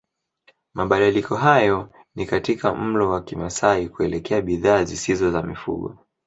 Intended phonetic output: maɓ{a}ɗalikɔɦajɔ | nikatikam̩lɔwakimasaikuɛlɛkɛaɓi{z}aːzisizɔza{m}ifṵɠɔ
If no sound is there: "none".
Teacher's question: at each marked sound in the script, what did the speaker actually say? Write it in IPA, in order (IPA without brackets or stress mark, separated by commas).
a, ð, m